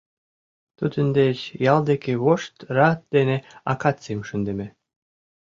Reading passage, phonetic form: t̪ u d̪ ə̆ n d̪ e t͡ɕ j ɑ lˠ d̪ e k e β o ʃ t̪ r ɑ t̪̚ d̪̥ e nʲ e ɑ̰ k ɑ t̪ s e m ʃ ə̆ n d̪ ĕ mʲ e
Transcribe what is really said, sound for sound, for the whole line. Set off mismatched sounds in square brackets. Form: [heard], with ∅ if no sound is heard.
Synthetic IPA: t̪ u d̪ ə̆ n d̪ e t͡ɕ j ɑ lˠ d̪ e k e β o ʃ t̪ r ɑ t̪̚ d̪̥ e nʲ e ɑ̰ k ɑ t̪ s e m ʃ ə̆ n d̪ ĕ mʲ e